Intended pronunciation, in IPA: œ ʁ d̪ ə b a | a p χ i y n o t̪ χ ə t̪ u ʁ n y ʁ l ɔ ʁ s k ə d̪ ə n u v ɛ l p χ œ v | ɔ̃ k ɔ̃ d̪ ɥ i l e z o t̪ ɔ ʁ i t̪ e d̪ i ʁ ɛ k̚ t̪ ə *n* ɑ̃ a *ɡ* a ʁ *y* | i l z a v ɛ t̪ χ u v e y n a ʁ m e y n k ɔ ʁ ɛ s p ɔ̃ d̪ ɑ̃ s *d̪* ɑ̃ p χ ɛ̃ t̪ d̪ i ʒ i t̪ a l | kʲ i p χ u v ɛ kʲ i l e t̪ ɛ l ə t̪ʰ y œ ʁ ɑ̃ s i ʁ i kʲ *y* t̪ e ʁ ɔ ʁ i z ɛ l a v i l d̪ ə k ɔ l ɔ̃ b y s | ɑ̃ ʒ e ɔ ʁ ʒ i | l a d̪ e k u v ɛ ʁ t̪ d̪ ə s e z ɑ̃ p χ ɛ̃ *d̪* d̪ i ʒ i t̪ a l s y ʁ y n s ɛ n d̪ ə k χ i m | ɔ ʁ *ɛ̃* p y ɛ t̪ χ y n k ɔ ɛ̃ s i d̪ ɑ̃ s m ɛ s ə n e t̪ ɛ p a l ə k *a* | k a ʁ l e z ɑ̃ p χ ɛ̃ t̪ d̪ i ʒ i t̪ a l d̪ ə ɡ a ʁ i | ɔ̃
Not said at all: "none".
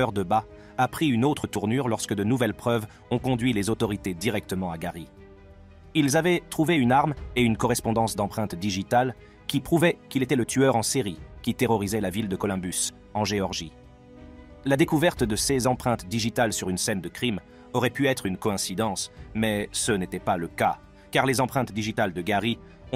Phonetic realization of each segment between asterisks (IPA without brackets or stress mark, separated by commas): m, ɡ, i, d̪, i, t̪, ɛ, a